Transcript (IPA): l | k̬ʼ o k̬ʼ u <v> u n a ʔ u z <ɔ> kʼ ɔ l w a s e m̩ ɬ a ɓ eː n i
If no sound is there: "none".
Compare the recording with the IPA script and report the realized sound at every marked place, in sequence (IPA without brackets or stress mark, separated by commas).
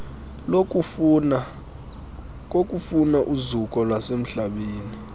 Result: f, u